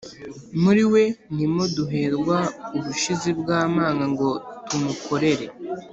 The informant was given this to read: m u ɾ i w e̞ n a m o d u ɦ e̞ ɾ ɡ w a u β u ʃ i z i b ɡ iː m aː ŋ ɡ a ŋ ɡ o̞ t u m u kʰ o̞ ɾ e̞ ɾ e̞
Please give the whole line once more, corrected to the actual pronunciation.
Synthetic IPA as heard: m u ɾ i w e̞ n i m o d u ɦ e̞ ɾ ɡ w a u β u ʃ i z i b ɡ aː m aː ŋ ɡ a ŋ ɡ o̞ t u m u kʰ o̞ ɾ e̞ ɾ e̞